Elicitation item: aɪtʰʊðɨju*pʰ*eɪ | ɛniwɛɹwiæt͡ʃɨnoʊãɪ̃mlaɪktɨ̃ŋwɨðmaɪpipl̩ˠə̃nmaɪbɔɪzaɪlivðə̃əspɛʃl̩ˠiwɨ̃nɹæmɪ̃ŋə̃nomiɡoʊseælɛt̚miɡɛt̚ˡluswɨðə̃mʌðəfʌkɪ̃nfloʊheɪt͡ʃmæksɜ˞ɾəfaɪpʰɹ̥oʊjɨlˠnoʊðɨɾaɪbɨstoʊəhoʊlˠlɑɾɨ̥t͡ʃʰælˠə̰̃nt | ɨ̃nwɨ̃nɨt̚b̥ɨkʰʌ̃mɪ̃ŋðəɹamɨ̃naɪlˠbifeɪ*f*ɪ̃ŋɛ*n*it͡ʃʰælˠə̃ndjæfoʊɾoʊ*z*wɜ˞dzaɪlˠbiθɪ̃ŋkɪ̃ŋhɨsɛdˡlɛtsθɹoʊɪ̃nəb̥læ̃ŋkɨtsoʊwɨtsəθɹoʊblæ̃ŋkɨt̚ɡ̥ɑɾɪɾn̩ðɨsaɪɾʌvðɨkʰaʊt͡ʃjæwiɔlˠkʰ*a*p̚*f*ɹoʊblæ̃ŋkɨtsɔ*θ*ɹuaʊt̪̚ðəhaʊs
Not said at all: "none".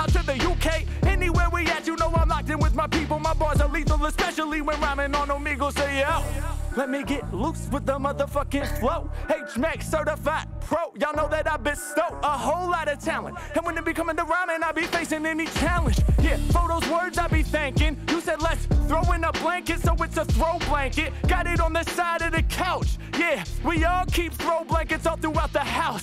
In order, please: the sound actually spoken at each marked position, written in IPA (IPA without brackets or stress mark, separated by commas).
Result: kʰ, s, n, z, i, θ, θ